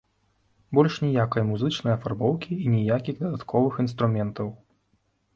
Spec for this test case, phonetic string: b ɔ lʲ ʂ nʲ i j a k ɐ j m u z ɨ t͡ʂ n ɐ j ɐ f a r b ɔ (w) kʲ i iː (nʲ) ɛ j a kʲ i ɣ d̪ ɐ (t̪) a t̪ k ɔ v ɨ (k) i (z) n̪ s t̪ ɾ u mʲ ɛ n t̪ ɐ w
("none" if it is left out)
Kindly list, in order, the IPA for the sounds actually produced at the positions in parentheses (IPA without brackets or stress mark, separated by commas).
w, nʲ, d̪, x, none